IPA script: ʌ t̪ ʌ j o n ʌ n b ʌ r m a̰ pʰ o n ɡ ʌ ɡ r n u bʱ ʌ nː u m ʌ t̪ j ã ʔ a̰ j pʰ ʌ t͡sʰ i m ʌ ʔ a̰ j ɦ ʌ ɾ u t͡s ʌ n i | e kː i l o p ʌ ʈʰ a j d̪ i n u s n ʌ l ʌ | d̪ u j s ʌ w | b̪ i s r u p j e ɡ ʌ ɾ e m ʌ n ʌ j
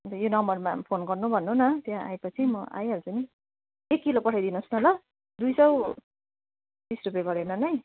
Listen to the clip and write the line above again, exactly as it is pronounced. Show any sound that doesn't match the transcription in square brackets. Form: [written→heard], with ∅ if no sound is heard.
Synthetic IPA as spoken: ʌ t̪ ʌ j o n ʌ [n→m] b ʌ r m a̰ pʰ o n ɡ ʌ [ɡ→∅] r n u bʱ ʌ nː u [m→n] ʌ t̪ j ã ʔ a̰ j [pʰ→p] ʌ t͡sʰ i m ʌ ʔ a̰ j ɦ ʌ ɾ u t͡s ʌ n i | e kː i l o p ʌ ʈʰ a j d̪ i n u s n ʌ l ʌ | d̪ u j s ʌ w | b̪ i s r u p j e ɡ ʌ ɾ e [m→n] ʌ n ʌ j